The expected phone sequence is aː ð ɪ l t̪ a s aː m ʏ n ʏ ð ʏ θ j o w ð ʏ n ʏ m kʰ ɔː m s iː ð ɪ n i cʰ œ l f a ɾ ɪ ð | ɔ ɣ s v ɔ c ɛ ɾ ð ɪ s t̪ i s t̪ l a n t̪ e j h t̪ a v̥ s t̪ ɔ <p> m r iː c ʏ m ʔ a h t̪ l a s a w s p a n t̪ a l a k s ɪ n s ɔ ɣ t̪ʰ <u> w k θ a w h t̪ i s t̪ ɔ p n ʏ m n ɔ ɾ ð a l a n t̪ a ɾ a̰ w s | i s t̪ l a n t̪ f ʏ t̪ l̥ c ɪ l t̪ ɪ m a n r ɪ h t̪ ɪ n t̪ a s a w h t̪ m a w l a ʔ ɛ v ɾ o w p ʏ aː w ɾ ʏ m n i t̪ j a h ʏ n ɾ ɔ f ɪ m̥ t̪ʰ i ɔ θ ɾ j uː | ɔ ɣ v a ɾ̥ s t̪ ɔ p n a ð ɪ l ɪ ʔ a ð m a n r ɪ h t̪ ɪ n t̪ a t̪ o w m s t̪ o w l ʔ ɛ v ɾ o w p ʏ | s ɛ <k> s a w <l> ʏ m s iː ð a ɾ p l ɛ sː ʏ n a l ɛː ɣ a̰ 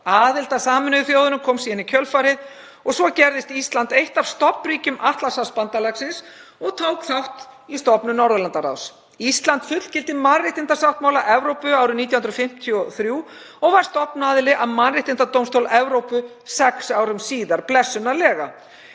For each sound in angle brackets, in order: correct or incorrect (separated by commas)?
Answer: correct, incorrect, correct, incorrect